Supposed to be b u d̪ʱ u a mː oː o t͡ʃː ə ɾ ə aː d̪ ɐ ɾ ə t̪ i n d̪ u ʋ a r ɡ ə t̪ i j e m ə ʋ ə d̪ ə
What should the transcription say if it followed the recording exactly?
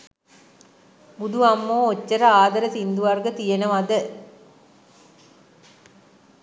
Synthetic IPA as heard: b u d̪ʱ u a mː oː o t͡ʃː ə ɾ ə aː d̪ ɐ ɾ ə t̪ i n d̪ u ʋ a r ɡ ə t̪ i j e n ə ʋ a d̪ ə